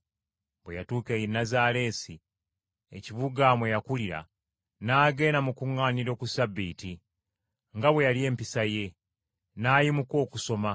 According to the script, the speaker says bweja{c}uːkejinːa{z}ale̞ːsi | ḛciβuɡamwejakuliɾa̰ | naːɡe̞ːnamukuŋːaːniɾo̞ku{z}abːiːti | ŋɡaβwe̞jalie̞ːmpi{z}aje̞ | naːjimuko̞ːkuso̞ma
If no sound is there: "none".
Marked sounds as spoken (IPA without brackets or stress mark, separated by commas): t, z, s, s